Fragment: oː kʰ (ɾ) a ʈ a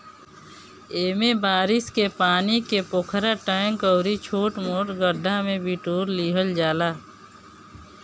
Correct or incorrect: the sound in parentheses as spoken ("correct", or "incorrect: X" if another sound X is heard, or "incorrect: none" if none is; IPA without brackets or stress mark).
correct